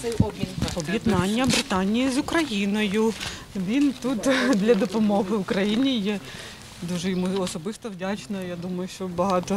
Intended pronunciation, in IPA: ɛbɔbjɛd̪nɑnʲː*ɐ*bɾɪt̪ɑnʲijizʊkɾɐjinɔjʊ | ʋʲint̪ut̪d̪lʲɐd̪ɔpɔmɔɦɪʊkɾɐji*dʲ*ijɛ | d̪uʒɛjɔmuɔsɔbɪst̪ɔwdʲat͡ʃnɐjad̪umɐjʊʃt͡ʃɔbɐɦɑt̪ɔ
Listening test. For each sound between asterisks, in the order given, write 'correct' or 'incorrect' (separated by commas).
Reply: correct, incorrect